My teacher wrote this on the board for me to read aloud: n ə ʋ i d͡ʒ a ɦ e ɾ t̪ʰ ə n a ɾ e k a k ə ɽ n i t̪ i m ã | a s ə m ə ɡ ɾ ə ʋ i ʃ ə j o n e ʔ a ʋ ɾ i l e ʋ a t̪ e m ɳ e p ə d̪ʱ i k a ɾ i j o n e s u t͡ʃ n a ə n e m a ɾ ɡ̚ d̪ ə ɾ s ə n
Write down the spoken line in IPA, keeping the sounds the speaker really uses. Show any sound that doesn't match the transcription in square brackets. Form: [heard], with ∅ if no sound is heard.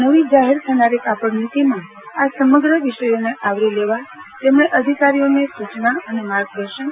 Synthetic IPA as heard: n ə ʋ i d͡ʒ a ɦ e ɾ t̪ʰ ə n a ɾ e k a [p] ə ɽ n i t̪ i m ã | a s ə m ə ɡ ɾ ə ʋ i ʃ ə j o n e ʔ a ʋ ɾ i l e ʋ a t̪ e m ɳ e [ʔ] ə d̪ʱ i k a ɾ i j o n e s u t͡ʃ n a ə n e m a ɾ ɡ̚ d̪ ə ɾ [ʃ] ə n